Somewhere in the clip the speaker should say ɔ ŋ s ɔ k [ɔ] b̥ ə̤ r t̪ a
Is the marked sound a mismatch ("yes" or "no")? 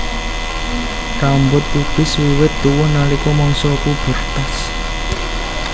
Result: yes